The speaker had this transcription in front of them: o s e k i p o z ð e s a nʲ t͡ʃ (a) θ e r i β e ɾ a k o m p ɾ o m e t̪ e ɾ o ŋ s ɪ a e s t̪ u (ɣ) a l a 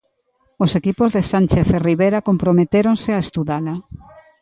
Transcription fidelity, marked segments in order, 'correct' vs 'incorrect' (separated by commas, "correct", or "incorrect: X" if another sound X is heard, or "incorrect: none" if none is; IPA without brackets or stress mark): incorrect: e, incorrect: ð